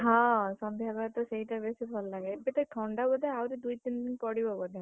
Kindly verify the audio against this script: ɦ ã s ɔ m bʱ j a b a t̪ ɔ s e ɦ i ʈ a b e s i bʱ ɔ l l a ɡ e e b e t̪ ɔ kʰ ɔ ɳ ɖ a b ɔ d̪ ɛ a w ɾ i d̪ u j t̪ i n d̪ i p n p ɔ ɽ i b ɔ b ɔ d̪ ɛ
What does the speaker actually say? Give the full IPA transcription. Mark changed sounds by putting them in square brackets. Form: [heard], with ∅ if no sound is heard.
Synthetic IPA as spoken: ɦ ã s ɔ m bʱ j a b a t̪ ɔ s e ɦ i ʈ a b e s i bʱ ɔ l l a ɡ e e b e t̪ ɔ [ʈʰ] ɔ ɳ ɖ a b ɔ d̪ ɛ a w ɾ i d̪ u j t̪ i n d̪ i [∅] n p ɔ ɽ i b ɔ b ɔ d̪ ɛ

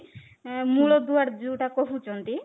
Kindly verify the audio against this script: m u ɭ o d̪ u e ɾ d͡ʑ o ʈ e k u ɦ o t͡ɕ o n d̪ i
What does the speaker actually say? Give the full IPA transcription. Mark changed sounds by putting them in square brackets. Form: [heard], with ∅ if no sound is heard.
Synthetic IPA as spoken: m u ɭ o d̪ u [a] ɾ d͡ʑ [u] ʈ [a] k [o] ɦ [u] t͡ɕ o n [t̪] i

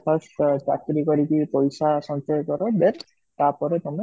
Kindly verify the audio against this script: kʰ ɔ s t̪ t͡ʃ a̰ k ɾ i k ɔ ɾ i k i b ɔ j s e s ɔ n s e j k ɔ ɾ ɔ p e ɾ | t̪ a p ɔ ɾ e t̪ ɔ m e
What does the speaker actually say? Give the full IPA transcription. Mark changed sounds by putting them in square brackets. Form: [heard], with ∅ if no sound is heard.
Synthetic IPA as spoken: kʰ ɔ s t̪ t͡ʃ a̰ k ɾ i k ɔ ɾ i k i [p] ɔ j s [a] s ɔ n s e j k ɔ ɾ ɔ [b] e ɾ | t̪ a p ɔ ɾ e t̪ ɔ m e

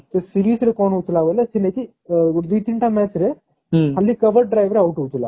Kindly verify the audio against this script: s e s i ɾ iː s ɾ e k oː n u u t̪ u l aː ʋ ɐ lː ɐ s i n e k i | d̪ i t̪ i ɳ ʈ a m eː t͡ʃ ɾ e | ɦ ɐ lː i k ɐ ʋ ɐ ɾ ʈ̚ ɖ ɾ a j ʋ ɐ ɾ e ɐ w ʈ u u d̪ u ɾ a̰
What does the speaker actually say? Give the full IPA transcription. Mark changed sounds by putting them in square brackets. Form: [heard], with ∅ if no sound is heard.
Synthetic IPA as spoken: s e s i ɾ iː s ɾ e k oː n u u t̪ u l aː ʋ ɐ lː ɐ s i n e k i | d̪ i t̪ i ɳ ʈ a m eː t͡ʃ ɾ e | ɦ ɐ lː i k ɐ ʋ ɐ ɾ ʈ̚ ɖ ɾ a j ʋ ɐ ɾ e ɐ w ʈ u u [t̪] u [l] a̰

